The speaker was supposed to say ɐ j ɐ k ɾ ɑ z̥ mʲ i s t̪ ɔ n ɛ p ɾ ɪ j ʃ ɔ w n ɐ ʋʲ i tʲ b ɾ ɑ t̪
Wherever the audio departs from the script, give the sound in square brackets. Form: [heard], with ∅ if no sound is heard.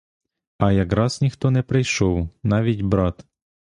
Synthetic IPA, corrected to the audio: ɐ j ɐ k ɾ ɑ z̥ [nʲ] i [x] t̪ ɔ n ɛ p ɾ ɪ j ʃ ɔ w n [ɑ] ʋʲ i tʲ b ɾ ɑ t̪